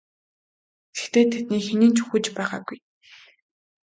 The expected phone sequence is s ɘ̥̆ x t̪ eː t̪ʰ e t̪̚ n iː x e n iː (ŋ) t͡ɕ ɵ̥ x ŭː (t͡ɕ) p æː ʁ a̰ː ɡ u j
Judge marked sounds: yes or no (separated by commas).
no, yes